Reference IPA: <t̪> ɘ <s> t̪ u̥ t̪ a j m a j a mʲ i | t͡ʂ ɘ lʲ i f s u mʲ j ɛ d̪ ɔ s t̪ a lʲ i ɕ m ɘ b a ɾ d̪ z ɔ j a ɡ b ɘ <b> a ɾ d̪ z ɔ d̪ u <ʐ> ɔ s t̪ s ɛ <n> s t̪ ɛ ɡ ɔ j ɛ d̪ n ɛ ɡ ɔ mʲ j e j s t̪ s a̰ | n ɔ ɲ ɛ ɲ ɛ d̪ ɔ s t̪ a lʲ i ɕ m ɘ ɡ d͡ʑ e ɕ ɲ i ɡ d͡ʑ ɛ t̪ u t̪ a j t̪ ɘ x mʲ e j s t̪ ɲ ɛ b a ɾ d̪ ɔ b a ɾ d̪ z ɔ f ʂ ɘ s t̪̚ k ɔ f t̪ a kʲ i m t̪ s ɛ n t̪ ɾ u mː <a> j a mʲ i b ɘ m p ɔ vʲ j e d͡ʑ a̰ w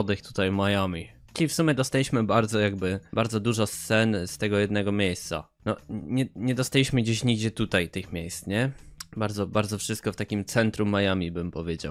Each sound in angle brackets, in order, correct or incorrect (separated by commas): incorrect, incorrect, correct, correct, correct, correct